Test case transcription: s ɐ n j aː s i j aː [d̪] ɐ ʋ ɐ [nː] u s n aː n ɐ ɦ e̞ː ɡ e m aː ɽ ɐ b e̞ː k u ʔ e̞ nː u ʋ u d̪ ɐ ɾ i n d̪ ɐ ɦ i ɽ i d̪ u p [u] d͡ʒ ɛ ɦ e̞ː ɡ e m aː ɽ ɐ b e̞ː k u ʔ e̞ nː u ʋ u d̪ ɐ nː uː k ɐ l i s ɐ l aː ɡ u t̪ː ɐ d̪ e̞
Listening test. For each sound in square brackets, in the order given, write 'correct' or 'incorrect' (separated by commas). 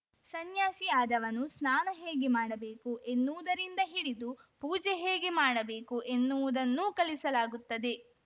correct, incorrect, incorrect